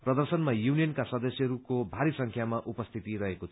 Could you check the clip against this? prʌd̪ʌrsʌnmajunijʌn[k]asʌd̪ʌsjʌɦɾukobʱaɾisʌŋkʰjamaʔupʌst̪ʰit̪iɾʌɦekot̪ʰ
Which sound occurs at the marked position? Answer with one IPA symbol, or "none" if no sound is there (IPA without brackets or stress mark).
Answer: k